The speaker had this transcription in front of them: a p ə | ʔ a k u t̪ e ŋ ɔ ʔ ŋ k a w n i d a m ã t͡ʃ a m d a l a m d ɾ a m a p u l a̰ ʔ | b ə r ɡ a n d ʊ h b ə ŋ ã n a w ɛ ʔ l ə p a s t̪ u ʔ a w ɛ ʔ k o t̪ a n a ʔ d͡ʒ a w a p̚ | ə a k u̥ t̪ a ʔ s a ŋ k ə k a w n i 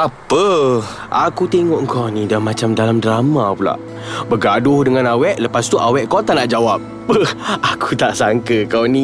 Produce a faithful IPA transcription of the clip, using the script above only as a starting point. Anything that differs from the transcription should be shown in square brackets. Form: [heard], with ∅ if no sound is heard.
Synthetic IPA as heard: a p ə | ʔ a k u t̪ e ŋ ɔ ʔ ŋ k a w n i d a m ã t͡ʃ a m d a l a m d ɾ a m a p u l a̰ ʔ | b ə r ɡ a [∅] d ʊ h [d] ə ŋ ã n a w ɛ ʔ l ə p a s t̪ u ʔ a w ɛ ʔ k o t̪ a n a ʔ d͡ʒ a w a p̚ | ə a k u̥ t̪ a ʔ s a ŋ k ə k a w n i